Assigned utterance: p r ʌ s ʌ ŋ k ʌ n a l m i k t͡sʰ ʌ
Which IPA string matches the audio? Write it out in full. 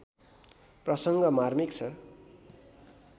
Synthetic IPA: p r ʌ s ʌ ŋ ɡ ʌ m a r m i k t͡sʰ ʌ